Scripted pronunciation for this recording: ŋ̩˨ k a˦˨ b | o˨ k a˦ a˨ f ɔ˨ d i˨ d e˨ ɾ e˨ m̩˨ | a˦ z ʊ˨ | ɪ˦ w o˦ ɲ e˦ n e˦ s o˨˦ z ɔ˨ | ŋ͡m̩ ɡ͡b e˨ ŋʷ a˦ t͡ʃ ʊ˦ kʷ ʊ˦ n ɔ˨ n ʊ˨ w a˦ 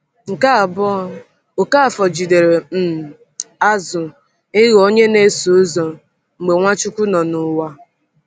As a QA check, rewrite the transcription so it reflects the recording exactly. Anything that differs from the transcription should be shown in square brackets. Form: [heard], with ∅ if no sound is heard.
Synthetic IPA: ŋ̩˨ k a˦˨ b | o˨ k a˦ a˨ f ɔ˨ [d͡ʒ] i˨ d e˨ ɾ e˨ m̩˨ | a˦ z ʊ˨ | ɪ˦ [ɣ] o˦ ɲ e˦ n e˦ s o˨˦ z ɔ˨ | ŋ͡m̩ ɡ͡b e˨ ŋʷ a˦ t͡ʃ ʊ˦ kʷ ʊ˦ n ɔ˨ n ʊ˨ w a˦